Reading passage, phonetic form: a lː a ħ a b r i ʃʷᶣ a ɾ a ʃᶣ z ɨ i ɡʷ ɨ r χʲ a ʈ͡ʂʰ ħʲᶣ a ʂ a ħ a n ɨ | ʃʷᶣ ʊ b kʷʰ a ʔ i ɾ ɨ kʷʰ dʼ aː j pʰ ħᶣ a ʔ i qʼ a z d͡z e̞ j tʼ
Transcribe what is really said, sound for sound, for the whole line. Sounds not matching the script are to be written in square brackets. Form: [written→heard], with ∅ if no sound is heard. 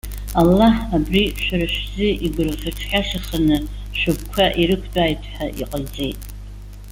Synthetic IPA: a lː a ħ a b r i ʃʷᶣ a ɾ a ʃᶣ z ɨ i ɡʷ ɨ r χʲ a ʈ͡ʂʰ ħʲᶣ a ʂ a [ħ→χ] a n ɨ | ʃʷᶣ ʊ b kʷʰ a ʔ i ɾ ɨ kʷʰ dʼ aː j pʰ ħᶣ a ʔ i qʼ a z d͡z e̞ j tʼ